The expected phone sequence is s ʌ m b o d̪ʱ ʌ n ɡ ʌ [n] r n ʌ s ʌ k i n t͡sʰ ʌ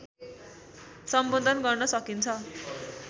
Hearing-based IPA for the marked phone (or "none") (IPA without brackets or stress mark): none